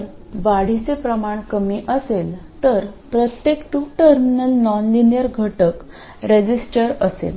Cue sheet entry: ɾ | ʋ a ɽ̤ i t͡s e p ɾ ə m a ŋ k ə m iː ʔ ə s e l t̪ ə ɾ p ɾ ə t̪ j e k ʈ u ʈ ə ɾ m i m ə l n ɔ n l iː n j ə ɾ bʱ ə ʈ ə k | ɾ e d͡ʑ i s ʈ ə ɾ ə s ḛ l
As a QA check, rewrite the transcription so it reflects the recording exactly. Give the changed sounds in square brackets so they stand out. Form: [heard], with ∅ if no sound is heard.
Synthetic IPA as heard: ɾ | ʋ a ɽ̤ i t͡s e p ɾ ə m a [ɳ] k ə m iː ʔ ə s e l t̪ ə ɾ p ɾ ə t̪ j e k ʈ u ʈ ə ɾ m i [n] ə l n ɔ n l [i] n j ə ɾ [ɡʱ] ə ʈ ə k | ɾ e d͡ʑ i s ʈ ə ɾ ə s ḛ l